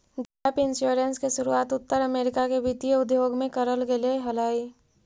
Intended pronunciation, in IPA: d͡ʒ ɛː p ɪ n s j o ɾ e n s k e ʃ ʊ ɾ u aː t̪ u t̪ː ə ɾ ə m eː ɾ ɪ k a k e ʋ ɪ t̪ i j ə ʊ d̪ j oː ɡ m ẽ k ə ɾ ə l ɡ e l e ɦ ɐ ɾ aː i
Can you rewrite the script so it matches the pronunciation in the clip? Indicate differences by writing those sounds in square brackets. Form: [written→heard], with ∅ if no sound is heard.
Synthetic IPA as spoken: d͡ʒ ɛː p ɪ n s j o ɾ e n s k e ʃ ʊ ɾ u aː t̪ [u→ʊ] t̪ː ə ɾ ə m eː ɾ ɪ k a k e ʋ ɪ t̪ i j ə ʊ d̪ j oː ɡ m ẽ k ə ɾ ə l ɡ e l e ɦ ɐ [ɾ→l] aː i